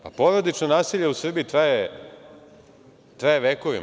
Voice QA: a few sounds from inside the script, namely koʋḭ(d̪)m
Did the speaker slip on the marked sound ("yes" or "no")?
yes